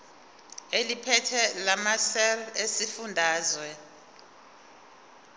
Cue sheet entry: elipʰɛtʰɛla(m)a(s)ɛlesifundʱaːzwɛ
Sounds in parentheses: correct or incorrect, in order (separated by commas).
correct, correct